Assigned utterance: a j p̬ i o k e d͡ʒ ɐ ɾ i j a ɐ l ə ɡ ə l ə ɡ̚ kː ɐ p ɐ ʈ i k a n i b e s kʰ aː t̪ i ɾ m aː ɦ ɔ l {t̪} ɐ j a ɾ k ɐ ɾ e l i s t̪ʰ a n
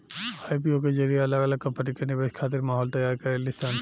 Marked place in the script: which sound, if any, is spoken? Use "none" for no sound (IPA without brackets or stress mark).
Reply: t̪